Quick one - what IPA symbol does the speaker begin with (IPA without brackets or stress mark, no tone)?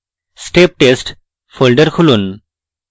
s